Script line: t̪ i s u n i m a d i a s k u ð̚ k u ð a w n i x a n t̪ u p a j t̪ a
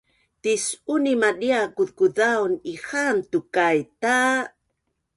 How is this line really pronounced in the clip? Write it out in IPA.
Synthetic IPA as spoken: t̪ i s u n i m a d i a k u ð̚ k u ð a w n i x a n t̪ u k a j t̪ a